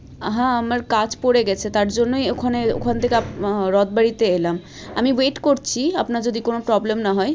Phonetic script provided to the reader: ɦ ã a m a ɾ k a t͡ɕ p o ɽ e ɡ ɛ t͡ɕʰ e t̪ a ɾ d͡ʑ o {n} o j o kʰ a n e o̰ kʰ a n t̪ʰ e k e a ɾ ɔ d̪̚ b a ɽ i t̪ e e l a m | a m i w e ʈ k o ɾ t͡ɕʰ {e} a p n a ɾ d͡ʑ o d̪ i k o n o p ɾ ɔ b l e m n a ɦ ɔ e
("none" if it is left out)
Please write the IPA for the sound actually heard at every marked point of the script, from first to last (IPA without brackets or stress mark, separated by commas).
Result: nː, i